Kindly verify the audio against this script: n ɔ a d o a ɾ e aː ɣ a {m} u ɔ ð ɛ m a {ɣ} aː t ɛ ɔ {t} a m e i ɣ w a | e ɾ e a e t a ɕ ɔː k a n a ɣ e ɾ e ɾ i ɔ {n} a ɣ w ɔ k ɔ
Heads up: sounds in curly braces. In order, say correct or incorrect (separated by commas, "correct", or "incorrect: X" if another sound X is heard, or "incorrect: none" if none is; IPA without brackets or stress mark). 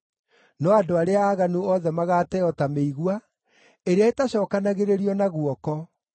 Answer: incorrect: n, correct, correct, correct